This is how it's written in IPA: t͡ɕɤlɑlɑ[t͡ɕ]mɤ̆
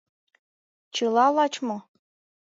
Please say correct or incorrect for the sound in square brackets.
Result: correct